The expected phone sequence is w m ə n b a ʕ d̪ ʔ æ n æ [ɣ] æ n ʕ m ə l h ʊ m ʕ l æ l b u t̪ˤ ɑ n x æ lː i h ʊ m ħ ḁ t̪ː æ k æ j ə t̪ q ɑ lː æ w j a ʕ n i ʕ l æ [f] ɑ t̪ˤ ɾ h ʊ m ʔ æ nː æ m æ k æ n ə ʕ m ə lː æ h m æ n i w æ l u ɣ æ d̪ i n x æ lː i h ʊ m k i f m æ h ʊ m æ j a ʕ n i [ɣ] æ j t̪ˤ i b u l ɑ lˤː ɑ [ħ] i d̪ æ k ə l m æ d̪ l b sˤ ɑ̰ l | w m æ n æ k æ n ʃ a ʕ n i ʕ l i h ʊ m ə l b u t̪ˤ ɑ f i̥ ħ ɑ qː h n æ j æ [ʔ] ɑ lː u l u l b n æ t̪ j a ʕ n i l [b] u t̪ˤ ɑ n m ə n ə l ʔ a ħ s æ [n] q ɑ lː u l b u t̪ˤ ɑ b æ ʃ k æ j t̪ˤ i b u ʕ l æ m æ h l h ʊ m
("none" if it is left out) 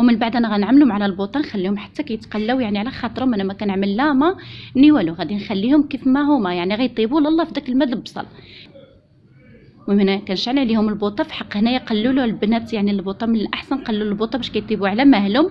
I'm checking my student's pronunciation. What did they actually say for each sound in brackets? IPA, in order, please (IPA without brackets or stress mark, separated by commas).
ɣ, x, ɣ, f, q, b, n